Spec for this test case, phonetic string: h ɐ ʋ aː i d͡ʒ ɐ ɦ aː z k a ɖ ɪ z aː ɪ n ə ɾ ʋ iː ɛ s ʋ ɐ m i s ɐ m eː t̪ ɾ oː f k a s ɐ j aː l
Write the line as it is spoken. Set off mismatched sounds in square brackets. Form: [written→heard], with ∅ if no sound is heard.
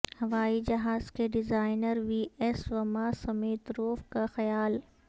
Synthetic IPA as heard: h ɐ ʋ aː i d͡ʒ ɐ ɦ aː z k [a→e] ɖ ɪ z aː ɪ n ə ɾ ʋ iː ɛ s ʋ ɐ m [i→a] s ɐ m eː t̪ ɾ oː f k a [s→x] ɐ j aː l

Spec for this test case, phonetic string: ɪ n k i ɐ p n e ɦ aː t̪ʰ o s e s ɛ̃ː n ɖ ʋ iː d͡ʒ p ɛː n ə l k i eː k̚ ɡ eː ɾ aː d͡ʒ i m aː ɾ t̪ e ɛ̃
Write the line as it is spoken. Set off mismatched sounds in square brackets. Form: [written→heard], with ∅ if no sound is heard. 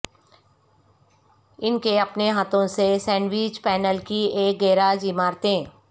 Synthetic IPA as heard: ɪ n k [i→e] ɐ p n e ɦ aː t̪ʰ [o→õ] s e s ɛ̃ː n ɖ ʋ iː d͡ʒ p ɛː n ə l k i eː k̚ ɡ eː ɾ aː d͡ʒ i m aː ɾ t̪ e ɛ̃

